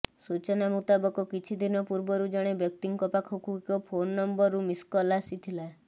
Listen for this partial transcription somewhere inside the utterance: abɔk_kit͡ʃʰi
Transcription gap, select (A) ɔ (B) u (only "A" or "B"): A